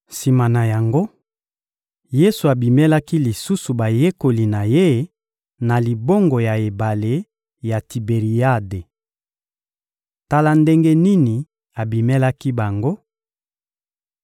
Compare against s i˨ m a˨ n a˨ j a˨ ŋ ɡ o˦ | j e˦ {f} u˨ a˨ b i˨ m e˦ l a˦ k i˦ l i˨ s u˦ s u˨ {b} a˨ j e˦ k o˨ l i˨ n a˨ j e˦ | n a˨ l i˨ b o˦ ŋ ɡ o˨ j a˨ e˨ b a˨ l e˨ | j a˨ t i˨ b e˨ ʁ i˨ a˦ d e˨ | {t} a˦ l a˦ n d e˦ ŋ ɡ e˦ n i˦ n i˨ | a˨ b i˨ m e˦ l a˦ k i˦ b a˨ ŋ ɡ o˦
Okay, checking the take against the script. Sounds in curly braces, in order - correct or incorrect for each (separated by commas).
incorrect, correct, correct